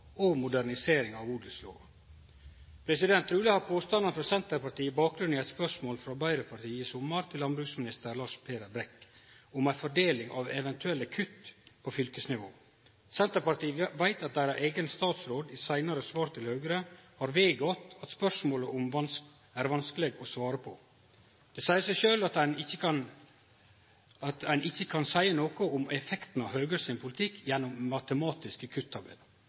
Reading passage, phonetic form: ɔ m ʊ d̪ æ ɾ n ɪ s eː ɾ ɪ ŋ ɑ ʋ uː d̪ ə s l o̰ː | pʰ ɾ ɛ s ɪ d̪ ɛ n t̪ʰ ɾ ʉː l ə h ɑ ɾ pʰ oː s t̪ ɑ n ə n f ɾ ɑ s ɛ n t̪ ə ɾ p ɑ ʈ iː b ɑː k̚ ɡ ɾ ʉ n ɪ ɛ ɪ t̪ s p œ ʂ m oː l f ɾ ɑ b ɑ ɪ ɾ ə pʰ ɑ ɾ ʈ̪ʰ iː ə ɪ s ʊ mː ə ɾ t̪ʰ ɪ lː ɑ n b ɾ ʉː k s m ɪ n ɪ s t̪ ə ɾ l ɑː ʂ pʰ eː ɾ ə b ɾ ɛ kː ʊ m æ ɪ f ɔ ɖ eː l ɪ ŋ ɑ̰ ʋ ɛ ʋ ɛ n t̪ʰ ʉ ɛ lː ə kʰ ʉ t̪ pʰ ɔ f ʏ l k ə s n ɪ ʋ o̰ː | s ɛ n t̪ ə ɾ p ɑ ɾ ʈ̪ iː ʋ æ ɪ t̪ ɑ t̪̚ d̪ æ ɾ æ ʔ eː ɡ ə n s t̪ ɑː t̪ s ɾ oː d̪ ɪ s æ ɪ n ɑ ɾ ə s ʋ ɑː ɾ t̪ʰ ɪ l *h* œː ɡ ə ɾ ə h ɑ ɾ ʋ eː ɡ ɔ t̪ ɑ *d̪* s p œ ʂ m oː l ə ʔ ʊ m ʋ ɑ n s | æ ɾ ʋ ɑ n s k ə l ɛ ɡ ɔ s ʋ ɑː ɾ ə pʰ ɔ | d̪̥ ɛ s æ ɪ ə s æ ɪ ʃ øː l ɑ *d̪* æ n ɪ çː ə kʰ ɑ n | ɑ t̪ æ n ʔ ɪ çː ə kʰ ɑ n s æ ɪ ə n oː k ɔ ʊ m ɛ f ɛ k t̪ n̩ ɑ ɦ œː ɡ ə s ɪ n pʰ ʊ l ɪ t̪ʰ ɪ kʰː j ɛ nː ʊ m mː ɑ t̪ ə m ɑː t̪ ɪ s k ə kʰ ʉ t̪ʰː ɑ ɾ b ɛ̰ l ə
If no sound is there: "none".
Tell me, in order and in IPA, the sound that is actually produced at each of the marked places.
h, t̪, t̪

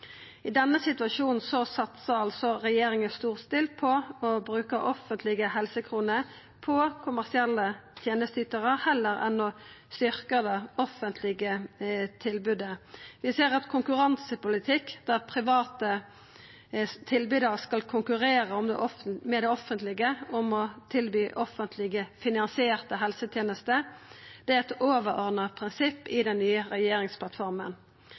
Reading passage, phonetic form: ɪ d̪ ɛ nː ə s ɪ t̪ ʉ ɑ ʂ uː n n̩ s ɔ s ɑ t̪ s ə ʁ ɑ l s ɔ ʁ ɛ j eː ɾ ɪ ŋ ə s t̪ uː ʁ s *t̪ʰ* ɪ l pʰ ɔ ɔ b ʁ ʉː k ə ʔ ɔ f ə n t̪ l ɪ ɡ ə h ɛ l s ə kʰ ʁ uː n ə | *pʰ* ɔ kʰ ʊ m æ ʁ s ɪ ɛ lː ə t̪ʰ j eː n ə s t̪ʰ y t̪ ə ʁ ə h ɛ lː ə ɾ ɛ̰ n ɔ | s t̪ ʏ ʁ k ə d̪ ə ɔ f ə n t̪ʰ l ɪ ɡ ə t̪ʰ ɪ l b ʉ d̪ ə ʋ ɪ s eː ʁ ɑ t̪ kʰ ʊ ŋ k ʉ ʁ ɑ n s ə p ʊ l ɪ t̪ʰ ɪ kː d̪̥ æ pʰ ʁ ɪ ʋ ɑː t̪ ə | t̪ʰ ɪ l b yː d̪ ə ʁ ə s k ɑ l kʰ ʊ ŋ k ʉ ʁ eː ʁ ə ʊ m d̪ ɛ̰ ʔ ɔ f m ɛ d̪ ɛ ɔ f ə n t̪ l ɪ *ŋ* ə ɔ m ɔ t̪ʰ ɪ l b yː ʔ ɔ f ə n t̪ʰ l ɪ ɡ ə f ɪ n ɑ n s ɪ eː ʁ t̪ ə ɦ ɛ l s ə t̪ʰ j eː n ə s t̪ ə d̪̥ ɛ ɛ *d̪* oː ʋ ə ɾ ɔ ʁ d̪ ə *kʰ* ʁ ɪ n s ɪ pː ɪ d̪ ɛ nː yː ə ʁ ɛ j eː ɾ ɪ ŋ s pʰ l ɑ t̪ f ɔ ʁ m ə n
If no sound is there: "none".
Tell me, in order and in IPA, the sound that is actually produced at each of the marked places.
t̪, pʰ, ɡ, t̪, pʰ

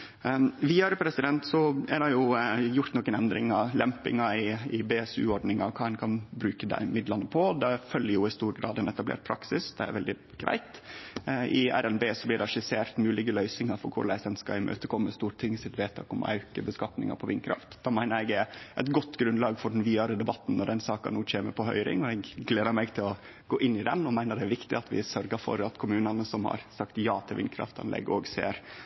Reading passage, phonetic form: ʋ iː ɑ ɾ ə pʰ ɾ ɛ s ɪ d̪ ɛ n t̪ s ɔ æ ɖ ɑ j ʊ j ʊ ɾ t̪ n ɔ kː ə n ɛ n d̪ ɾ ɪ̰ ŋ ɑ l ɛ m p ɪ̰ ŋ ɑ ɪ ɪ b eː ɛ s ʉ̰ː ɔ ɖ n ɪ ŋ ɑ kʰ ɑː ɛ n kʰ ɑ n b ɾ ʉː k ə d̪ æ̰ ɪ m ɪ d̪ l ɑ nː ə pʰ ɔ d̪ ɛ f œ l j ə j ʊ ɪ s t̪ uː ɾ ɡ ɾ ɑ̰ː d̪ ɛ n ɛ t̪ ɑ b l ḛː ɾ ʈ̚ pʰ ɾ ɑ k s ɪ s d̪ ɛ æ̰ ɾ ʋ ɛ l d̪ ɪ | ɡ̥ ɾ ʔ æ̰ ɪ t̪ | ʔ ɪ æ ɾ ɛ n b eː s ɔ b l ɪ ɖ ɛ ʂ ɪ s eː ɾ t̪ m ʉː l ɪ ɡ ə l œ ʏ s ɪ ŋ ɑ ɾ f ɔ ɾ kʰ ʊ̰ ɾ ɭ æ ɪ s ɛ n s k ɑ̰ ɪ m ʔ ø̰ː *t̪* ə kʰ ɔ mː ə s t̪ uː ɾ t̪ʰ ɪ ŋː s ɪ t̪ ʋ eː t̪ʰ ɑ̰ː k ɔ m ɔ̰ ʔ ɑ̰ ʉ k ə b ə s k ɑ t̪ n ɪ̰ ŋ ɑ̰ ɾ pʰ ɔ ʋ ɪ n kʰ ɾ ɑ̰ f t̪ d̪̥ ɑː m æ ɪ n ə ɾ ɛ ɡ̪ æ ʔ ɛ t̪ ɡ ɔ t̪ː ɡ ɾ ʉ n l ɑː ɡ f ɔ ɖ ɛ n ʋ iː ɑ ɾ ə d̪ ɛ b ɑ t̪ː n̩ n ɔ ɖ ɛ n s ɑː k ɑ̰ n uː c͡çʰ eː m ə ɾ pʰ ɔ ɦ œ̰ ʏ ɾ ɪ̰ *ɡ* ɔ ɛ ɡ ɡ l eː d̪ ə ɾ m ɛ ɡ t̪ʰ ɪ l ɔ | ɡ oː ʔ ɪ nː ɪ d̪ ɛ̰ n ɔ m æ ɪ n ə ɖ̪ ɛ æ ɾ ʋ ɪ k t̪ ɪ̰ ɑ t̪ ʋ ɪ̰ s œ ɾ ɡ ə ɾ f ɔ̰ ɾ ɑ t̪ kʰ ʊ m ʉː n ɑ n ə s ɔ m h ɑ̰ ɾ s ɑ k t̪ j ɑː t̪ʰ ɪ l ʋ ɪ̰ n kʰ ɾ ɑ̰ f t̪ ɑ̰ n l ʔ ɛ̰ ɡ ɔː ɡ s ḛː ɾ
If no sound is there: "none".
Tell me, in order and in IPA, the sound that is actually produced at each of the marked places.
t̪, ŋ

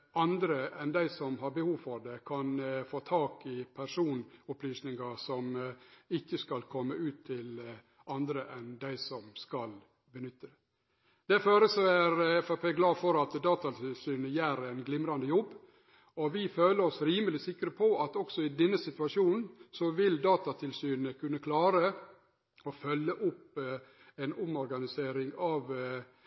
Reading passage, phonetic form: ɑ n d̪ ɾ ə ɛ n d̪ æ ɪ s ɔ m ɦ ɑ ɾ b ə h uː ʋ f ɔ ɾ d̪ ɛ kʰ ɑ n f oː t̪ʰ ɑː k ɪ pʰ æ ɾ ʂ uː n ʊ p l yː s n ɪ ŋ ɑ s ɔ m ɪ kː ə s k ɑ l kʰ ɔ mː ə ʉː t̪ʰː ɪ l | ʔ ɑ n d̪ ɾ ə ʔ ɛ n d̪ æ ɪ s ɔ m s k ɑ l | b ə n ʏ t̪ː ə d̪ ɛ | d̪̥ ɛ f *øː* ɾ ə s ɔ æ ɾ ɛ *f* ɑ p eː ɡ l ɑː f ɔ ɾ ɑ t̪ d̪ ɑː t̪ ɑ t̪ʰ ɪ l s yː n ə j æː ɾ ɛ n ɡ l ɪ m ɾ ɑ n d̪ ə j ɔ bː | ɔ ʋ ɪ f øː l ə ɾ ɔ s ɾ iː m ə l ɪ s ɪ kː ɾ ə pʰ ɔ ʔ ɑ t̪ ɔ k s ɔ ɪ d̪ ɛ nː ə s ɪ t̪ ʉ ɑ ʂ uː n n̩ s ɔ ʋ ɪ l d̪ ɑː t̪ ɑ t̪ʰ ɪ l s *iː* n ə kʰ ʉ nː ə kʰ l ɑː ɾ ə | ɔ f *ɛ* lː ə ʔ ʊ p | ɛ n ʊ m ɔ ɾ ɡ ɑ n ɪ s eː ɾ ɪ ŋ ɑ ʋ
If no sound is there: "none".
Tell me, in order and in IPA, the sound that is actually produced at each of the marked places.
øː, f, yː, œ

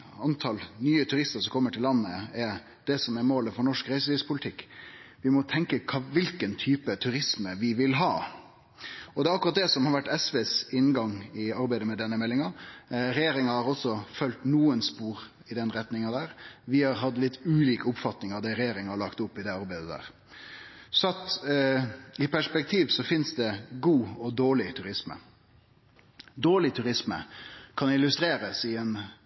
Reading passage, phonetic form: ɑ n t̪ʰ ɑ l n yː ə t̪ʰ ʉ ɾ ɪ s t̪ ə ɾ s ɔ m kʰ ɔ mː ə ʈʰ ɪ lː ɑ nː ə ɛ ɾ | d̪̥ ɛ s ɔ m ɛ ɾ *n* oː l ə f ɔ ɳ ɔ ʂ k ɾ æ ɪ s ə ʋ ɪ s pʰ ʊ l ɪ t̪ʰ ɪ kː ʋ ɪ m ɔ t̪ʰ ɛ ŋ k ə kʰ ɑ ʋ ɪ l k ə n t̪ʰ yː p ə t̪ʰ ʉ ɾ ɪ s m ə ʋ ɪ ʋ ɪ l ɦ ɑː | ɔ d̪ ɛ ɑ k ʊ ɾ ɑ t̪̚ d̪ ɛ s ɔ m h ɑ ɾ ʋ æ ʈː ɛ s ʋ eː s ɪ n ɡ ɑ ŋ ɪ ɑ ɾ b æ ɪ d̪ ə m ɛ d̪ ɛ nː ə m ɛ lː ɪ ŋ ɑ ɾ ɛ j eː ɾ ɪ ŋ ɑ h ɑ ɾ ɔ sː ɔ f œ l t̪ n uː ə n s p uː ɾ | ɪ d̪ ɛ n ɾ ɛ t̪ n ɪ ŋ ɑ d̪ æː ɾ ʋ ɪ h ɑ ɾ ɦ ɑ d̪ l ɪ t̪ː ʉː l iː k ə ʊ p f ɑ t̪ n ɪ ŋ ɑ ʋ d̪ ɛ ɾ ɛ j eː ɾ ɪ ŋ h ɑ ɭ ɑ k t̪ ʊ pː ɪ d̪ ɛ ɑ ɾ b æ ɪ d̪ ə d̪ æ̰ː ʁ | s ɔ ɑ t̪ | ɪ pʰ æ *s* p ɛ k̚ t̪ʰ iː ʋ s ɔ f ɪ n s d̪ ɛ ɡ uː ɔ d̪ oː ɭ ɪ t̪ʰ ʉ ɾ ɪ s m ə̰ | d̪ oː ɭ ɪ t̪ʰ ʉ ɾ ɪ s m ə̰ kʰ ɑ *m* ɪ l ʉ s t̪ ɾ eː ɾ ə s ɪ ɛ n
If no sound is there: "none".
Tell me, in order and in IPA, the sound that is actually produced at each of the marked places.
m, ʂ, n

